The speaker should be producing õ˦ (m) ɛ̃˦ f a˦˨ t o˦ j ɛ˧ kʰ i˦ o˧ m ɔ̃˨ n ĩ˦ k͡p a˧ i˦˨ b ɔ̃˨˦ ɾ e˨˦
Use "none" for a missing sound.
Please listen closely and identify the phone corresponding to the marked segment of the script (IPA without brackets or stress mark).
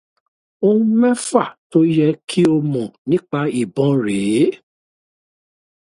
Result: m